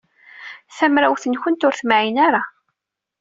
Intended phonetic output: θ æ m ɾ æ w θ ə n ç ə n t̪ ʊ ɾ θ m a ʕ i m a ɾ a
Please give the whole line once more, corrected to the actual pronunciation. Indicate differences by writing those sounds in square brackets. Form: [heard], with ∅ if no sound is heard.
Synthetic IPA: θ æ m ɾ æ w θ ə n ç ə n t̪ ʊ ɾ θ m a ʕ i [n] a ɾ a